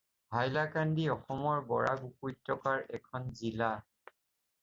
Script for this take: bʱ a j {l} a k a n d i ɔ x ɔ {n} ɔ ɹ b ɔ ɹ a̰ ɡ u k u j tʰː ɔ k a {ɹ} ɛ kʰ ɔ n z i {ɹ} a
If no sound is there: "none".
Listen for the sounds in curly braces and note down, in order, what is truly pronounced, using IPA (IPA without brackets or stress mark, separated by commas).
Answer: l, m, ɹ, l